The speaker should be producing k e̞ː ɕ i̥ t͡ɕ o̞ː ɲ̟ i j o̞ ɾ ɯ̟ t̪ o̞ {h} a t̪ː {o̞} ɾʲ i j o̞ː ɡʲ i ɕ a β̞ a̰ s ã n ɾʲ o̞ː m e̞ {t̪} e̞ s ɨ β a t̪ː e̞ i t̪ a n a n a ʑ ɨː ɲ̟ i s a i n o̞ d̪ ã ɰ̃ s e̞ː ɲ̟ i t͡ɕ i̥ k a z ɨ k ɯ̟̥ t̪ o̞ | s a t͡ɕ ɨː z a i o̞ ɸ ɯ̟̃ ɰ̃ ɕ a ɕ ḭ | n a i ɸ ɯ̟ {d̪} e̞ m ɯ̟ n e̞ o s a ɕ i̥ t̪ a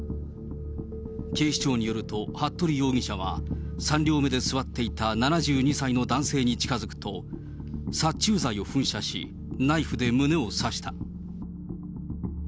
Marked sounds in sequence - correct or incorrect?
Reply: correct, correct, incorrect, correct

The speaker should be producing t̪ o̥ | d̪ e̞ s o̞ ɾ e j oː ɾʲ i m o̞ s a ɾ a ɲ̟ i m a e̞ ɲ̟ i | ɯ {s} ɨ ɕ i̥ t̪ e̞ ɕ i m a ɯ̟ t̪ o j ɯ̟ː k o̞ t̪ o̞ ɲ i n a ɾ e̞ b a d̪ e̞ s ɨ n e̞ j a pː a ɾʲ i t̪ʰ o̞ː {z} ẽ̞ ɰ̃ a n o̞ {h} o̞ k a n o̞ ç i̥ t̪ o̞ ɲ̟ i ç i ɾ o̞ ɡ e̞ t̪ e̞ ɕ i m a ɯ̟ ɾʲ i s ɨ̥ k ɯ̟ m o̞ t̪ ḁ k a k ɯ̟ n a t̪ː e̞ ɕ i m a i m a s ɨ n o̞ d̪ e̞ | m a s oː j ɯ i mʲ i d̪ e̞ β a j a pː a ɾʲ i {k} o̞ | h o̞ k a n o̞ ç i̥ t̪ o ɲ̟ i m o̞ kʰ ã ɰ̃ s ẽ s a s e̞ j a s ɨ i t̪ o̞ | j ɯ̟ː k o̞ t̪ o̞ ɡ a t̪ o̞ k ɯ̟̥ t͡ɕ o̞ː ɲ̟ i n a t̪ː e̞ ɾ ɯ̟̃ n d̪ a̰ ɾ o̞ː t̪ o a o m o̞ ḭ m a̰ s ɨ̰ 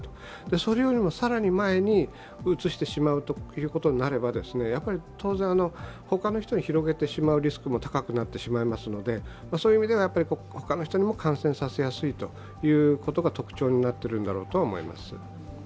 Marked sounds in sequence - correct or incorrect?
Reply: incorrect, correct, correct, correct

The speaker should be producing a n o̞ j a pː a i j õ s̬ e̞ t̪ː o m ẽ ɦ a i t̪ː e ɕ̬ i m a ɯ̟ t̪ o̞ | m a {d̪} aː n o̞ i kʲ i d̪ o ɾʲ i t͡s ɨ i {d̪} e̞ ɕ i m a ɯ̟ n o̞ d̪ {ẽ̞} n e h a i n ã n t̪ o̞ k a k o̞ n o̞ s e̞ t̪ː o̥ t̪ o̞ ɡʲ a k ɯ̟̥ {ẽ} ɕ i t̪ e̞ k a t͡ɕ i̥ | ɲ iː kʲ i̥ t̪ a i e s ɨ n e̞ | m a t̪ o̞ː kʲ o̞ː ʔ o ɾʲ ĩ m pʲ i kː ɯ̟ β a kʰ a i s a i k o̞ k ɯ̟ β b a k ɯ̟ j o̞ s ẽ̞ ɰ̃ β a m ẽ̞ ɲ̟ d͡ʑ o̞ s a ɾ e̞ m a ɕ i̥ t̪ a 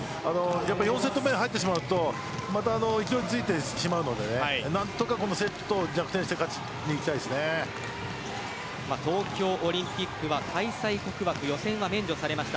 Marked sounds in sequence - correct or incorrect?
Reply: incorrect, incorrect, incorrect, correct

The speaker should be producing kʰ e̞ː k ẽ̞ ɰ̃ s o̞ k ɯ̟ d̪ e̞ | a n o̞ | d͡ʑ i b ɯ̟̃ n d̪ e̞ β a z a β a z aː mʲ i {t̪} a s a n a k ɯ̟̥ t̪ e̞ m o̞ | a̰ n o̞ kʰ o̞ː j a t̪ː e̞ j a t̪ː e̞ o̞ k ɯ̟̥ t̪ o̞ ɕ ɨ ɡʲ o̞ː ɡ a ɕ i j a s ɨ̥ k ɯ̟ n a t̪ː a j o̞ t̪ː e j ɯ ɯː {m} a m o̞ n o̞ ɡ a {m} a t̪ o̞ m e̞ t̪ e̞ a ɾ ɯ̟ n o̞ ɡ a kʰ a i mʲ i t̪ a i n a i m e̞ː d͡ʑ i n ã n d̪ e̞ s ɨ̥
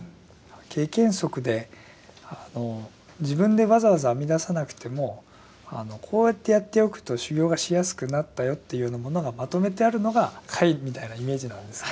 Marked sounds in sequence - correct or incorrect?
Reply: incorrect, incorrect, correct

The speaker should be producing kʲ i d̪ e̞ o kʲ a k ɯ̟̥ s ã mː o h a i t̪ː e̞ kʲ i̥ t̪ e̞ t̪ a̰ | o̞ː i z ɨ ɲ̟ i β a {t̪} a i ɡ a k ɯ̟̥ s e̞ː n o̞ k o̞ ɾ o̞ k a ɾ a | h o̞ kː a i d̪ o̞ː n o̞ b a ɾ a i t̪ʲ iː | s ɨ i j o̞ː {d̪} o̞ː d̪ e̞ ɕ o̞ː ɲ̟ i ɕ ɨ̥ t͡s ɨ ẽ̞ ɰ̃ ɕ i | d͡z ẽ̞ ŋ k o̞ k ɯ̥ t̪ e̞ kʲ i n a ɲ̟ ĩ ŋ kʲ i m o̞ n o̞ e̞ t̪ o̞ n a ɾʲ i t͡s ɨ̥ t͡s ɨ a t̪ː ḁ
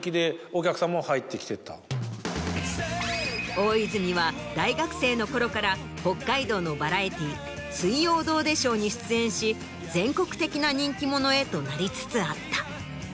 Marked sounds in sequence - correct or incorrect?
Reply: incorrect, correct

